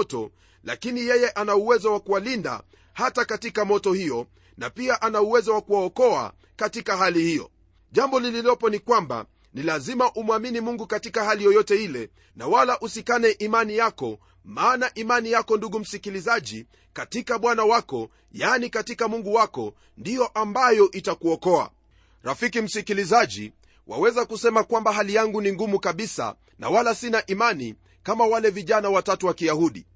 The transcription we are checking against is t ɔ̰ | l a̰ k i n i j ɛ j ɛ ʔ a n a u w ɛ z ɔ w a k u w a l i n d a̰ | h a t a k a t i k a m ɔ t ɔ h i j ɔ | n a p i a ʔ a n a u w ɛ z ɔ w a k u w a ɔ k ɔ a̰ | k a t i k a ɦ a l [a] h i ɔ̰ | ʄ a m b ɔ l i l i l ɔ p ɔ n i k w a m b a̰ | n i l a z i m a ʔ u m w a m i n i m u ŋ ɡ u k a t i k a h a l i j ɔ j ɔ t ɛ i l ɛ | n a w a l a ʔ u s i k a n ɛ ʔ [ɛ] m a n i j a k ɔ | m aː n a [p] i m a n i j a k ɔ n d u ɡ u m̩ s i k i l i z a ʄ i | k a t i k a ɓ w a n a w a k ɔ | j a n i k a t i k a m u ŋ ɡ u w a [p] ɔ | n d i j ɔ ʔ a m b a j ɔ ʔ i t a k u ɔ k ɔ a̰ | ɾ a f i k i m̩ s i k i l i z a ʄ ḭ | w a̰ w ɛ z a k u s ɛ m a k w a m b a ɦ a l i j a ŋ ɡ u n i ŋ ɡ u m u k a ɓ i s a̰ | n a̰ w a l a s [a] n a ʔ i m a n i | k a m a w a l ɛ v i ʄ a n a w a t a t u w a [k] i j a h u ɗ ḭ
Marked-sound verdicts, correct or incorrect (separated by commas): incorrect, incorrect, incorrect, incorrect, incorrect, correct